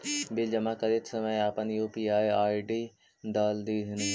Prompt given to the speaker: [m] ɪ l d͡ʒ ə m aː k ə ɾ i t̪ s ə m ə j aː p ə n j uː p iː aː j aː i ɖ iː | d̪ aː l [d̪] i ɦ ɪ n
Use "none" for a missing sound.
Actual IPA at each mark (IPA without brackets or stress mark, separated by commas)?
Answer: b, d̪